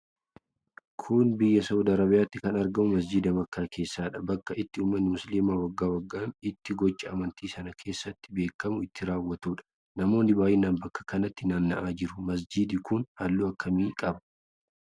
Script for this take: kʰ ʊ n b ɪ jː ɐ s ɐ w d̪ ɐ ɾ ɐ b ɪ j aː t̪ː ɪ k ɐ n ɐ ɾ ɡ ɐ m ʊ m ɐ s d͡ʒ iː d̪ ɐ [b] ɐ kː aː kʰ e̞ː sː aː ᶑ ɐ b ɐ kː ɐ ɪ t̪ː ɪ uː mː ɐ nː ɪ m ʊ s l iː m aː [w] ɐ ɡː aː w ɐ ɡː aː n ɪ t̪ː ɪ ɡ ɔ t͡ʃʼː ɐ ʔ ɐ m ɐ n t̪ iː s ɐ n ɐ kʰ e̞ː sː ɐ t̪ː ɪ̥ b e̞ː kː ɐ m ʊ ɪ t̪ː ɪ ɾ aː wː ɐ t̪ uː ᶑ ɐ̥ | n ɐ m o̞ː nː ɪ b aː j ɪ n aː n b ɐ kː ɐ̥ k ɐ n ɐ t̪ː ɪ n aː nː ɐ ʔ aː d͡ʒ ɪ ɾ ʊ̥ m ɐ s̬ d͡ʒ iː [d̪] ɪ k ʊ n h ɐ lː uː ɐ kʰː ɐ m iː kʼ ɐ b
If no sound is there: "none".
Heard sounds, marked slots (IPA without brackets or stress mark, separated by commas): m, w, d̪